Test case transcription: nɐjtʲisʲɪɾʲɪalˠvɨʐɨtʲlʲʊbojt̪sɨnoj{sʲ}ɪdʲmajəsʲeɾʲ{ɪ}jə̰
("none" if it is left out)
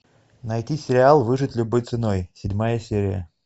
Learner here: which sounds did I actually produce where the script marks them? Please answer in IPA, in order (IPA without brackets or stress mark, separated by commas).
sʲ, ɪ